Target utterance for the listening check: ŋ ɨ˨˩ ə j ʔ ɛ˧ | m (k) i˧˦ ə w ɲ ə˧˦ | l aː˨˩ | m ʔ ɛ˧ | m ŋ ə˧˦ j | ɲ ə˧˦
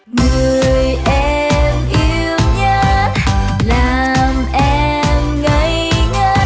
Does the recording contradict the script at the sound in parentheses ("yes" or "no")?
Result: yes